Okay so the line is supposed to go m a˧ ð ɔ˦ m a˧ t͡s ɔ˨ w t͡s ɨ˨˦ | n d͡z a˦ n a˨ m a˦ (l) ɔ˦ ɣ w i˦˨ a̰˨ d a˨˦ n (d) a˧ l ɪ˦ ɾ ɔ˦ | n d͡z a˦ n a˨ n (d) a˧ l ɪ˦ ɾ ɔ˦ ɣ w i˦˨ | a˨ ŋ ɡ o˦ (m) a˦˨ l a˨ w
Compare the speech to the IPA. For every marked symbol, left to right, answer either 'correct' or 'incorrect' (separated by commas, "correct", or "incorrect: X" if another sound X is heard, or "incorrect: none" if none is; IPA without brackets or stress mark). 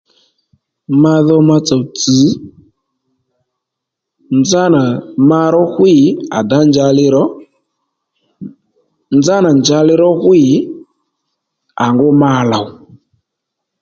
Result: incorrect: ɾ, incorrect: d͡ʒ, incorrect: d͡ʒ, correct